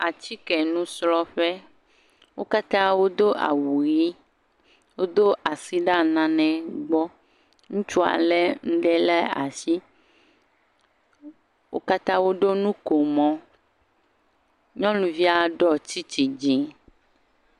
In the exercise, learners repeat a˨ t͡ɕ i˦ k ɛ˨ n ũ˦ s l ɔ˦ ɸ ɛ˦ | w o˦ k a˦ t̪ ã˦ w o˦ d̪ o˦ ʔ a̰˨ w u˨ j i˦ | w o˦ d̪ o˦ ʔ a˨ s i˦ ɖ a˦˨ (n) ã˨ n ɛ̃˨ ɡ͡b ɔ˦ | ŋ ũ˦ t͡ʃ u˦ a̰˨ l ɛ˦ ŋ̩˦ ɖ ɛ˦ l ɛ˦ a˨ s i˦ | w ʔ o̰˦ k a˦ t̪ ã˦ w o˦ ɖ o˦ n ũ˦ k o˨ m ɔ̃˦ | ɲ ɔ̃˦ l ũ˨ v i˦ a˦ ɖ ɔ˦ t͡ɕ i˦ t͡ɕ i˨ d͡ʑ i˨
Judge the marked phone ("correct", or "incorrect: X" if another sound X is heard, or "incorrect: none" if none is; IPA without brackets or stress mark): correct